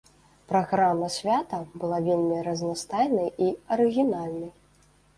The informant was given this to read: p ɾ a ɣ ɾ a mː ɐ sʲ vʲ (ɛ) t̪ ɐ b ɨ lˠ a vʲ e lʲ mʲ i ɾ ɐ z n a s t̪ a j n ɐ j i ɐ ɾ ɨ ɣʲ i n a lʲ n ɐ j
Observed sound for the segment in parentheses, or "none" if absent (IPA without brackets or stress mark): a